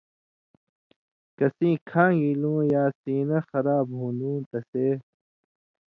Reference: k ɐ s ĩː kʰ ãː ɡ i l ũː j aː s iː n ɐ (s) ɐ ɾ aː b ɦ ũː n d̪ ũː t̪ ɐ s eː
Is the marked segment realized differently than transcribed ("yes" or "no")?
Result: yes